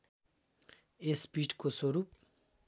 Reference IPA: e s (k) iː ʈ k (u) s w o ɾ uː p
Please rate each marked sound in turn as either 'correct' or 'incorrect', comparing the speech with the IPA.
incorrect, incorrect

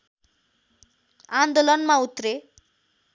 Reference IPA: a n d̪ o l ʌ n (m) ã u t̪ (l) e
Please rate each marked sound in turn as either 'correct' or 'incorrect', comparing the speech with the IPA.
correct, incorrect

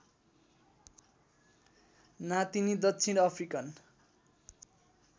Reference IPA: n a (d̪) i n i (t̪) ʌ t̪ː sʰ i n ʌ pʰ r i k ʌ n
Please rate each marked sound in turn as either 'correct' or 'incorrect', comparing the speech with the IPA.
incorrect, incorrect

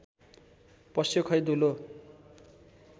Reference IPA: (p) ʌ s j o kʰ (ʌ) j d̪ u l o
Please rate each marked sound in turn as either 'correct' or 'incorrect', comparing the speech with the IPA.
correct, correct

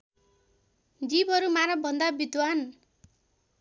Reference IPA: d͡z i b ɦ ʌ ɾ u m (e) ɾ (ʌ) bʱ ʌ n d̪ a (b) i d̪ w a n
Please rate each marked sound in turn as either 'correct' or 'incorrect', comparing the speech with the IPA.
incorrect, correct, correct

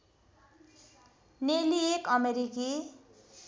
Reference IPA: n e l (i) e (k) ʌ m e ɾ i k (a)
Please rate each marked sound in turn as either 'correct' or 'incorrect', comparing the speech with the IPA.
correct, correct, incorrect

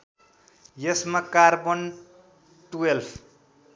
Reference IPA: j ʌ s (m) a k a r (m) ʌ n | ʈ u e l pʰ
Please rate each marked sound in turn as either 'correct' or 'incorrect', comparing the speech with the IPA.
correct, incorrect

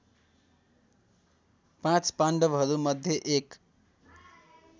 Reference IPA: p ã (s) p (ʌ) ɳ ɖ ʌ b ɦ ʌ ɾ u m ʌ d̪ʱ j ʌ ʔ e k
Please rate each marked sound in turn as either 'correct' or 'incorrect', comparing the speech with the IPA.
incorrect, incorrect

